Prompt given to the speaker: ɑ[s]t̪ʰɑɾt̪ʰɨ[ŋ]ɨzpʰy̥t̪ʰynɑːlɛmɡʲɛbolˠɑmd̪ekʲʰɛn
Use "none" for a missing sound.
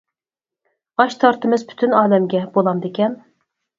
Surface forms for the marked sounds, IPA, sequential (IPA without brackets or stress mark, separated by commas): ʃ, m